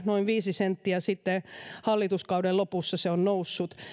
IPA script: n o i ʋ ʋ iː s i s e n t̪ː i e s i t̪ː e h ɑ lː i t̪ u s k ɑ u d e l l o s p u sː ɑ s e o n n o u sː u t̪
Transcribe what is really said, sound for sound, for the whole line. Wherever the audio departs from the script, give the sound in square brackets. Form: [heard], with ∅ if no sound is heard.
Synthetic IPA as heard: n o i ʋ ʋ iː s i s e n t̪ː i [æ] s i t̪ː e h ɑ lː i t̪ u s k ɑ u d e l l o [∅] p u sː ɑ s e o n n o u sː u t̪